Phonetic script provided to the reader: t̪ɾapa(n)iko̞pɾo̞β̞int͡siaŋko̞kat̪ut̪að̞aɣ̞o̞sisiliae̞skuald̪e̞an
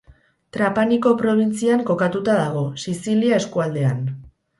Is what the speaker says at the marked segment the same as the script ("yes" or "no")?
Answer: yes